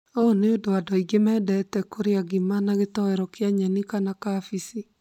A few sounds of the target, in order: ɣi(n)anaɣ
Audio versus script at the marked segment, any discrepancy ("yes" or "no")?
yes